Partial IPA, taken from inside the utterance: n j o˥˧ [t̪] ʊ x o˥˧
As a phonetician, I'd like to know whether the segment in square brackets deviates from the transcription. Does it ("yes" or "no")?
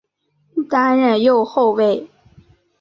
yes